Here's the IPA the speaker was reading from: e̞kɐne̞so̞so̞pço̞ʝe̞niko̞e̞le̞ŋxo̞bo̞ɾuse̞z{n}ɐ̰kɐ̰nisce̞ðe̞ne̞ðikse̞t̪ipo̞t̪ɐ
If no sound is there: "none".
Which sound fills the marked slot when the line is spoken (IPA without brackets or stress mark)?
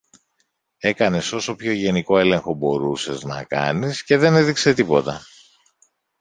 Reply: n